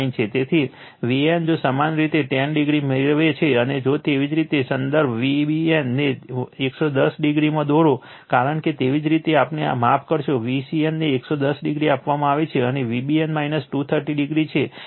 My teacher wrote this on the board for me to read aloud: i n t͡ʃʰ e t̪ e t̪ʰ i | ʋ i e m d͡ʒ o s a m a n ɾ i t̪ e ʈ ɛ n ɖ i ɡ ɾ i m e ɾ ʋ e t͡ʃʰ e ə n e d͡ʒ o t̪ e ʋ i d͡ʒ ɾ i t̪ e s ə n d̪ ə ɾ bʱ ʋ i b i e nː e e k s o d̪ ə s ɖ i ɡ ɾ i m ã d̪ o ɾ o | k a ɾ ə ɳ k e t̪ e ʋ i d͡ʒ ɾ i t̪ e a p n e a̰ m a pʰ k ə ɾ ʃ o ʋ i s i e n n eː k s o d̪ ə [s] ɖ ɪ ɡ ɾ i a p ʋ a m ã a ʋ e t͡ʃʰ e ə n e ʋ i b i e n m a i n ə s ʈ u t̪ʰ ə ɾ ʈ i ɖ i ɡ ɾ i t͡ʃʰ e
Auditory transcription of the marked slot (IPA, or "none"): s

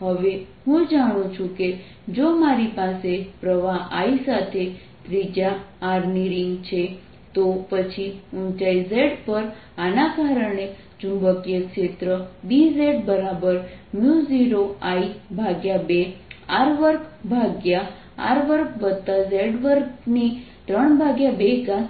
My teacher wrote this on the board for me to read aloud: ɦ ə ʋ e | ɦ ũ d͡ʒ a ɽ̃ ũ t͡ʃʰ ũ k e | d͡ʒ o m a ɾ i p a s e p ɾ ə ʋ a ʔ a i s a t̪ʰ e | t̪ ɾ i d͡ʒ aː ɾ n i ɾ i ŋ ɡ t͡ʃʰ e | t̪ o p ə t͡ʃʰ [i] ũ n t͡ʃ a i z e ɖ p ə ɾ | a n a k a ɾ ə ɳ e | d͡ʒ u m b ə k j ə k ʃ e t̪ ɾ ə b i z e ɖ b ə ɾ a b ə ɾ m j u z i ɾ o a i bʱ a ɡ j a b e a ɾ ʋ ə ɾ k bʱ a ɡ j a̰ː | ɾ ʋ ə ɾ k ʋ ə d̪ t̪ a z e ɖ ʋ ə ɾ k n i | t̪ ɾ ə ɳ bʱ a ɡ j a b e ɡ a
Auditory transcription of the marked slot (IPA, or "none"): i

